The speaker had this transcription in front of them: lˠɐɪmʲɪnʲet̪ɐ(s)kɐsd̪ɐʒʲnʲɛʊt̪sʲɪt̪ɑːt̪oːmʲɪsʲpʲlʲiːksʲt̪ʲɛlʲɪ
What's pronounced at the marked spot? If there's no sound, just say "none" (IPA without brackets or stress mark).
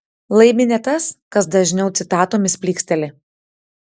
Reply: s